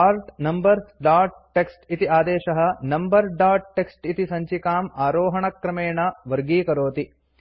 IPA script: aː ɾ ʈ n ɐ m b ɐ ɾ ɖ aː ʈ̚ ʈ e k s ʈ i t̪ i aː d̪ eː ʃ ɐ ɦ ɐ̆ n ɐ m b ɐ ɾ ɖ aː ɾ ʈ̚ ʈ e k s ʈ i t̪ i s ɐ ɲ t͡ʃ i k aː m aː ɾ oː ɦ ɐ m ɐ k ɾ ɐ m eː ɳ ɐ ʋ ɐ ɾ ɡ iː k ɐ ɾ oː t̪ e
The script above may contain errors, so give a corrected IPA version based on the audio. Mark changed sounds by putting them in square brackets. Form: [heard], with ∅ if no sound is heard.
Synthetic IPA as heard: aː ɾ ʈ n ɐ m b ɐ ɾ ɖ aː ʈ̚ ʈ e k s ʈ i t̪ i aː d̪ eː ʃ ɐ ɦ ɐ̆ n ɐ m b ɐ ɾ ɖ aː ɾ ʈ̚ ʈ e k s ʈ i t̪ i s ɐ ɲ t͡ʃ i k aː m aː ɾ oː ɦ ɐ [ɳ] ɐ k ɾ ɐ m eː ɳ ɐ ʋ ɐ ɾ ɡ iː k ɐ ɾ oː t̪ [i]

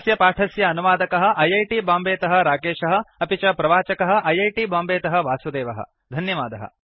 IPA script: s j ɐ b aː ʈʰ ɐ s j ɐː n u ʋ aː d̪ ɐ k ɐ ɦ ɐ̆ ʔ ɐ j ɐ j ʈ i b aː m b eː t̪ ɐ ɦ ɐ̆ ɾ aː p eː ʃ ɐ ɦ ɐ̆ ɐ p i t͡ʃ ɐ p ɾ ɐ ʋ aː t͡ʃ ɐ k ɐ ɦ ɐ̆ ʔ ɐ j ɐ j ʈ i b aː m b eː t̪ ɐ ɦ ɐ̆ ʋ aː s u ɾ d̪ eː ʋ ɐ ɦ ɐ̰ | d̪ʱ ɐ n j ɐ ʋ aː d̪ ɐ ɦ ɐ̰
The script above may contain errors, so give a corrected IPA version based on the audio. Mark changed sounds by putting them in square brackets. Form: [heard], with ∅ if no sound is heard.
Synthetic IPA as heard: s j ɐ [p] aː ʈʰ ɐ s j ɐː n u ʋ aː d̪ ɐ k ɐ ɦ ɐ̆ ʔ ɐ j ɐ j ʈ i b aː m b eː t̪ ɐ ɦ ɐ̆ ɾ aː [k] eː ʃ ɐ ɦ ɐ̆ ɐ p i t͡ʃ ɐ p ɾ ɐ ʋ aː t͡ʃ ɐ k ɐ ɦ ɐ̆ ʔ ɐ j ɐ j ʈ i b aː m b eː t̪ ɐ ɦ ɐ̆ ʋ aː s u [∅] d̪ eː ʋ ɐ ɦ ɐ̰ | d̪ʱ ɐ n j ɐ ʋ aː d̪ ɐ ɦ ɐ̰

